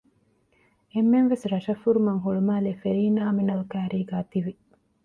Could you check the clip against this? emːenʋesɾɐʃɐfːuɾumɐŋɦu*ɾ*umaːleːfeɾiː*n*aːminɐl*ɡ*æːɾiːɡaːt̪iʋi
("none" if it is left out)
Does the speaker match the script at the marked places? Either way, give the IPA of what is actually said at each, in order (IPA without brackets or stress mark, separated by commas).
ɭ, n, k